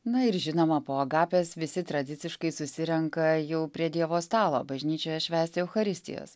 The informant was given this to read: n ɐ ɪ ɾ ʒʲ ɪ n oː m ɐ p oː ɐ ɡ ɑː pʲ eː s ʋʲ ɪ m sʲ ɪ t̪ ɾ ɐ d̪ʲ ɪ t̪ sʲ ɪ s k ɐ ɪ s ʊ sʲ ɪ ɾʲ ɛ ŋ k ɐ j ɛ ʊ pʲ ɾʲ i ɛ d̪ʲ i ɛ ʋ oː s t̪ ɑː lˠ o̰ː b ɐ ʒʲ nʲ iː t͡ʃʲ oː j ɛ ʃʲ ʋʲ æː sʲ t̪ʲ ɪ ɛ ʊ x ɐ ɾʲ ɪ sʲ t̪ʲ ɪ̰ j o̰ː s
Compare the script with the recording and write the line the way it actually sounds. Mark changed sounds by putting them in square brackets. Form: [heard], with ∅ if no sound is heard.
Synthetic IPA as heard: n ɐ ɪ ɾ ʒʲ ɪ n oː m ɐ p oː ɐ ɡ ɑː pʲ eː s ʋʲ ɪ [∅] sʲ ɪ t̪ ɾ ɐ d̪ʲ ɪ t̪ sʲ ɪ [ʃ] k ɐ ɪ s ʊ sʲ ɪ ɾʲ ɛ ŋ k ɐ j ɛ ʊ pʲ ɾʲ i ɛ d̪ʲ i ɛ ʋ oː s t̪ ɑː lˠ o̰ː b ɐ ʒʲ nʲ iː t͡ʃʲ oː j ɛ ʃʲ ʋʲ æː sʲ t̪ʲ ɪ ɛ ʊ x ɐ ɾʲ ɪ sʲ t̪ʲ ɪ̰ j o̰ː s